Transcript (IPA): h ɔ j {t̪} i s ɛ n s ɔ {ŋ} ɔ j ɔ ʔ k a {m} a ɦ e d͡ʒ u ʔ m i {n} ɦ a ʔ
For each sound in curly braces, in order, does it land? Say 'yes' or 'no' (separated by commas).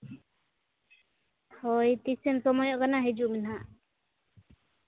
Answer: yes, no, no, yes